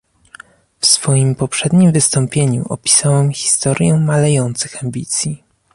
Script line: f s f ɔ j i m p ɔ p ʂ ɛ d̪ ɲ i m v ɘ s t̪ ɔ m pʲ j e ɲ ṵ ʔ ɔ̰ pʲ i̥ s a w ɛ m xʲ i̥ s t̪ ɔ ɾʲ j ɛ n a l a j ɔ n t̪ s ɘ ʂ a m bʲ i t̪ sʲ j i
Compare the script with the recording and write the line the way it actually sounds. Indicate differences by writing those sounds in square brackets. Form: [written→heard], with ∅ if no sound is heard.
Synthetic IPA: f s f ɔ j i m p ɔ p ʂ ɛ d̪ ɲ i m v ɘ s t̪ ɔ m pʲ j e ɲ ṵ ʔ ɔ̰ pʲ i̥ s a w ɛ m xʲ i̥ s t̪ ɔ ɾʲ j ɛ [n→m] a l [a→ɛ] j ɔ n t̪ s ɘ [ʂ→x] a m bʲ i t̪ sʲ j i